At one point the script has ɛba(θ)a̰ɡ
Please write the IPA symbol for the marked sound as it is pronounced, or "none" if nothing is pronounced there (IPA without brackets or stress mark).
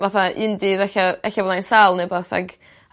θ